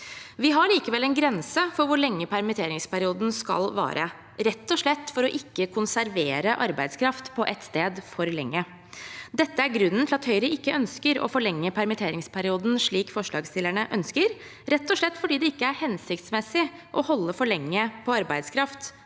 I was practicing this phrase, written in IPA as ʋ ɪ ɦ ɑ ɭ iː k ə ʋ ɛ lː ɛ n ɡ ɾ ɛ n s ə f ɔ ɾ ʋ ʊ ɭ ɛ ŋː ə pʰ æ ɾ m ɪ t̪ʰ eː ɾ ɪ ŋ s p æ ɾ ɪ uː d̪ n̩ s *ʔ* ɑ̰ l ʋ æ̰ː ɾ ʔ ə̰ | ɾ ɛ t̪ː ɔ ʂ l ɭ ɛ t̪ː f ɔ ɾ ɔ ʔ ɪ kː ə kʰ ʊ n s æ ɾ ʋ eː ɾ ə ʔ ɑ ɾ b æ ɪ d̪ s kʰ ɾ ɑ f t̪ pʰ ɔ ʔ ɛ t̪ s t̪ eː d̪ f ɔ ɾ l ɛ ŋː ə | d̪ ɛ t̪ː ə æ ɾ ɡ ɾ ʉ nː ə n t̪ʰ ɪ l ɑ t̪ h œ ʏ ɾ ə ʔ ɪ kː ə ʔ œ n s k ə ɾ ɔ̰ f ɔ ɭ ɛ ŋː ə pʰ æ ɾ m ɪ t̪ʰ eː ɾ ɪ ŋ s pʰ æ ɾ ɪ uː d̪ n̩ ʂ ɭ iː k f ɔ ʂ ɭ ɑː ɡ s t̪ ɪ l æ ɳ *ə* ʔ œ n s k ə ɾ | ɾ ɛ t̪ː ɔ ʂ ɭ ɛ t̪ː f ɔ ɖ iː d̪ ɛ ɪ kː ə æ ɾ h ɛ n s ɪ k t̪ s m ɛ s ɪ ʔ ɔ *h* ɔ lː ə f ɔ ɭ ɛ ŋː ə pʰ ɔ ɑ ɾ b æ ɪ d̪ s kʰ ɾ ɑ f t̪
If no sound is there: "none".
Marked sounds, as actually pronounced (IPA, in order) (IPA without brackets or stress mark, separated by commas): k, ə, h